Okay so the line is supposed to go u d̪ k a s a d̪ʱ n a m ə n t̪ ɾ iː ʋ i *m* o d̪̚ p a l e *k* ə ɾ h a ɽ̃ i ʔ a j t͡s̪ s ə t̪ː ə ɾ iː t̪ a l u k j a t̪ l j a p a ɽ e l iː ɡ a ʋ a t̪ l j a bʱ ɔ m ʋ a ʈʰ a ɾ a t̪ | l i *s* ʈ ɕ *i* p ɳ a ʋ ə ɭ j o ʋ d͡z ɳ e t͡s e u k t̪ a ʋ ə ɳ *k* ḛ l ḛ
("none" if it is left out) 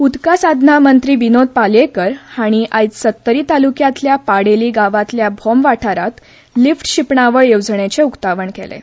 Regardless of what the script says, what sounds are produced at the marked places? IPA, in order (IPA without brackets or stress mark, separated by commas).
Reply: n, k, f, i, k